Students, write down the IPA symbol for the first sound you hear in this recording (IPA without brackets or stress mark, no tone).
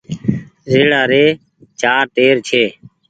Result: z